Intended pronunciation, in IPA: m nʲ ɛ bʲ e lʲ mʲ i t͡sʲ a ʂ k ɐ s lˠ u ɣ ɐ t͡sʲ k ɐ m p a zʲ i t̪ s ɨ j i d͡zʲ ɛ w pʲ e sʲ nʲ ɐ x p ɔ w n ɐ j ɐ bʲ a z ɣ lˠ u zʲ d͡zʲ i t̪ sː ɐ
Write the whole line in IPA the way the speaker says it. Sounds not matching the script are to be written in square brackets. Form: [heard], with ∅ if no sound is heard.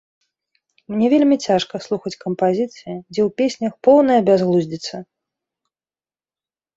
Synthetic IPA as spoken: m nʲ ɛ [vʲ] e lʲ mʲ i t͡sʲ a ʂ k ɐ s lˠ u [x] ɐ t͡sʲ k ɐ m p a zʲ i t̪ s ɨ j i d͡zʲ ɛ w pʲ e sʲ nʲ ɐ x p ɔ w n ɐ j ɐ bʲ a z ɣ lˠ u zʲ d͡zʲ i t̪ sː ɐ

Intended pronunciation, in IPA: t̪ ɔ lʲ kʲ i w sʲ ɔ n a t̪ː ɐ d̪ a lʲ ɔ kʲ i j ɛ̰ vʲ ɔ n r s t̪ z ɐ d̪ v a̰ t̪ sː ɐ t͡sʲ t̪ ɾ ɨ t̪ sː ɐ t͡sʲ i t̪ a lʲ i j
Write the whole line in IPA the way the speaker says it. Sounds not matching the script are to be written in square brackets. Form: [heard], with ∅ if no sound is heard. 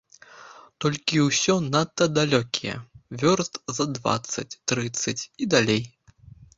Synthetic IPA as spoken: t̪ ɔ lʲ kʲ i w sʲ ɔ n a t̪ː ɐ d̪ a lʲ ɔ kʲ i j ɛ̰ vʲ ɔ [∅] r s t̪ z ɐ d̪ v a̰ t̪ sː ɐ t͡sʲ t̪ ɾ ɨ t̪ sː ɐ t͡sʲ i [d̪] a lʲ [e] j

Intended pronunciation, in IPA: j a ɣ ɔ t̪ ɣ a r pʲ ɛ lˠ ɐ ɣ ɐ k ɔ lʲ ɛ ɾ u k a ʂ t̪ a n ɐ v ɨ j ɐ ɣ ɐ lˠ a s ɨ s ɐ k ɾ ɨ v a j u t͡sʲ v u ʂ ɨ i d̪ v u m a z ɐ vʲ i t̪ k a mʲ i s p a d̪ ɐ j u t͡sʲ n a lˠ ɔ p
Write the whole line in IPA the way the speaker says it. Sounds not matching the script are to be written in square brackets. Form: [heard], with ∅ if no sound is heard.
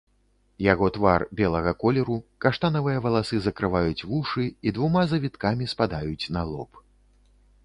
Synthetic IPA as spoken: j a ɣ ɔ t̪ [v] a r [bʲ] ɛ lˠ ɐ ɣ ɐ k ɔ lʲ ɛ ɾ u k a ʂ t̪ a n ɐ v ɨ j ɐ [v] ɐ lˠ a s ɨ [z] ɐ k ɾ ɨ v a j u t͡sʲ v u ʂ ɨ i d̪ v u m a z ɐ vʲ i t̪ k a mʲ i s p a d̪ [a] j u t͡sʲ n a lˠ ɔ p

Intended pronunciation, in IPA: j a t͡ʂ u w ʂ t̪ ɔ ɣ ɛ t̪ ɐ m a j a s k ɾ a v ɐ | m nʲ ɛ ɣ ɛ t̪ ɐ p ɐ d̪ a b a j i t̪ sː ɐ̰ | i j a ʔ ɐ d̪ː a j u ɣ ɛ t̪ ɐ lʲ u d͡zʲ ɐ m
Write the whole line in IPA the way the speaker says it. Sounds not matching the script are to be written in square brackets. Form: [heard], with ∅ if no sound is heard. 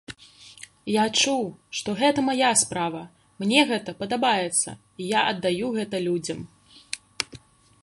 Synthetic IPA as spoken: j a t͡ʂ u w ʂ t̪ ɔ ɣ ɛ t̪ ɐ m a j a s [p] ɾ a v ɐ | m nʲ ɛ ɣ ɛ t̪ ɐ p ɐ d̪ a b a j [ɛ] t̪ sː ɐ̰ | i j a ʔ ɐ d̪ː a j u ɣ ɛ t̪ ɐ lʲ u d͡zʲ ɐ m

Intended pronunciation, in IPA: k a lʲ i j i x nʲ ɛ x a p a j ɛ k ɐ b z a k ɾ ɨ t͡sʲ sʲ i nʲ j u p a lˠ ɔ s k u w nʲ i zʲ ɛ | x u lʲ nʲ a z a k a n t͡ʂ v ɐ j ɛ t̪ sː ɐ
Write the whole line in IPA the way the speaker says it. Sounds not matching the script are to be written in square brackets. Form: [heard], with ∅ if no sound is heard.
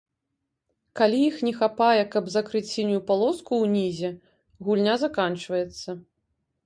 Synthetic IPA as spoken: k a lʲ i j i x nʲ ɛ x a p a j ɛ k ɐ b z a k ɾ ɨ t͡sʲ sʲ i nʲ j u p a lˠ ɔ s k u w nʲ i zʲ ɛ | [ɣ] u lʲ nʲ a z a k a n t͡ʂ v ɐ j ɛ t̪ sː ɐ

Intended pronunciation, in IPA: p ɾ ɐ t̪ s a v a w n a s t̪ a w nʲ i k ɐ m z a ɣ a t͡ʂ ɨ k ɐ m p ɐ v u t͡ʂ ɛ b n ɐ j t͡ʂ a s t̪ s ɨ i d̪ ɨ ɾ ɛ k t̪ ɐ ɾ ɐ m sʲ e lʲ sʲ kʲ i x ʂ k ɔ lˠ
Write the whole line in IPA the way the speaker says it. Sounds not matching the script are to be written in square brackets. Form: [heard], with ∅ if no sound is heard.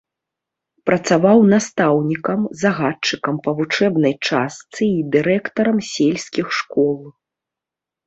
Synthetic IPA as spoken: p ɾ ɐ t̪ s a v a w n a s t̪ a w nʲ i k ɐ m z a ɣ a t͡ʂ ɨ k ɐ m p ɐ v u t͡ʂ ɛ b n ɐ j t͡ʂ a s t̪ s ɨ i d̪ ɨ ɾ ɛ k t̪ ɐ ɾ ɐ m sʲ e lʲ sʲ kʲ i x ʂ k ɔ lˠ

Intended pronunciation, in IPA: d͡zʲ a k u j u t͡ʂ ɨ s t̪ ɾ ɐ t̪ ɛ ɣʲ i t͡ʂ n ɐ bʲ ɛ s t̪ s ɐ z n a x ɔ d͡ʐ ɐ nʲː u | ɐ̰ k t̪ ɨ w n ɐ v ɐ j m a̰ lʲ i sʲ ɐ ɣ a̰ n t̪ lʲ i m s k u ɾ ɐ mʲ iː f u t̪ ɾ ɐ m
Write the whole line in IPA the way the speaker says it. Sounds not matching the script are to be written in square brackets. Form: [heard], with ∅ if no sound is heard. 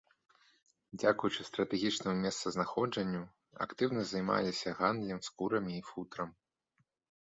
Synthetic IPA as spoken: d͡zʲ a k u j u t͡ʂ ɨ s t̪ ɾ ɐ t̪ ɛ ɣʲ i t͡ʂ n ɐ [mʲ] ɛ s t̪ s ɐ z n a x ɔ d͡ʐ ɐ nʲː u | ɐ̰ k t̪ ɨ w n ɐ [z] ɐ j m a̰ lʲ i sʲ ɐ ɣ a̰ n [d̪] lʲ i m s k u ɾ ɐ mʲ iː f u t̪ ɾ ɐ m

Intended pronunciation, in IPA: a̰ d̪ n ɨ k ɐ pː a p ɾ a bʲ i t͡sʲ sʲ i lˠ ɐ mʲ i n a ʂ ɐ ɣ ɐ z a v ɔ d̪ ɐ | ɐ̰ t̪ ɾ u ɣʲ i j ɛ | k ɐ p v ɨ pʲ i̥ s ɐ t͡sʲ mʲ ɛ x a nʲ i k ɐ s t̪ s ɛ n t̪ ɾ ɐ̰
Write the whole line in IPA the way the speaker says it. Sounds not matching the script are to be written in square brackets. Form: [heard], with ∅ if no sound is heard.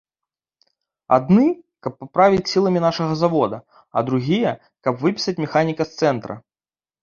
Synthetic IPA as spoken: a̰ d̪ n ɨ k ɐ pː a p ɾ a [vʲ] i t͡sʲ sʲ i lˠ ɐ mʲ i n a ʂ ɐ ɣ ɐ z a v ɔ d̪ ɐ | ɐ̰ [d̪] ɾ u ɣʲ i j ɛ | k ɐ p v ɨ pʲ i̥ s ɐ t͡sʲ mʲ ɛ x a nʲ i k ɐ s t̪ s ɛ n t̪ ɾ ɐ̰

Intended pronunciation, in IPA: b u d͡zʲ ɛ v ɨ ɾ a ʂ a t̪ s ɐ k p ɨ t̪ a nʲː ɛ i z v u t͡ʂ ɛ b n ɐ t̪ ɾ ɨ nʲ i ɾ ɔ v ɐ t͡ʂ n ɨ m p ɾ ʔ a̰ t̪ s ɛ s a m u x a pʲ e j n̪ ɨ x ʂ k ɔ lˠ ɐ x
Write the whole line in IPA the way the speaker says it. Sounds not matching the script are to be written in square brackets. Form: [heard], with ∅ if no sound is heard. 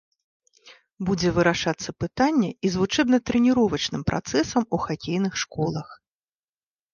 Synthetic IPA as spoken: b u d͡zʲ ɛ v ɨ ɾ a ʂ a t̪ [sː] ɐ [∅] p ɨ t̪ a nʲː ɛ i z v u t͡ʂ ɛ b n ɐ t̪ ɾ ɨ nʲ i ɾ ɔ v ɐ t͡ʂ n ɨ m p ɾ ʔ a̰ t̪ s ɛ s [ɐ] m u x a [kʲ] e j n̪ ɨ x ʂ k ɔ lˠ ɐ x

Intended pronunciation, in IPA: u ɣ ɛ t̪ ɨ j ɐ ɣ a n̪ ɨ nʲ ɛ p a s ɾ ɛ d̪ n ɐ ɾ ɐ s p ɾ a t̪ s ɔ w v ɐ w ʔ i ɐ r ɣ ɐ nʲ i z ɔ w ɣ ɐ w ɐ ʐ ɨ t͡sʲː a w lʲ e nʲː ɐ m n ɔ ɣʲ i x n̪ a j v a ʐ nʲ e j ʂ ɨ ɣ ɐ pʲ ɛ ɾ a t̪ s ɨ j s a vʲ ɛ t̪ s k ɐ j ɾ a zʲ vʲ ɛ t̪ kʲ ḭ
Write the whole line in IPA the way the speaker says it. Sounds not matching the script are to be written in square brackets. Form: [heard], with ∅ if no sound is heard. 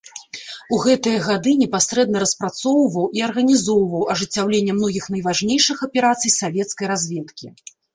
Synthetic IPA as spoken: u ɣ ɛ t̪ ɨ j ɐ ɣ a [d̪] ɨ nʲ ɛ p a s ɾ ɛ d̪ n ɐ ɾ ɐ s p ɾ a t̪ s ɔ w v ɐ w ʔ i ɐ r ɣ ɐ nʲ i z ɔ w [v] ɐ w ɐ ʐ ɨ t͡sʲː a w lʲ e nʲː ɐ m n ɔ ɣʲ i x n̪ [ɐ] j v a ʐ nʲ e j ʂ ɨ [x] ɐ pʲ ɛ ɾ a t̪ s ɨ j s a vʲ ɛ t̪ s k ɐ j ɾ a zʲ vʲ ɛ t̪ kʲ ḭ

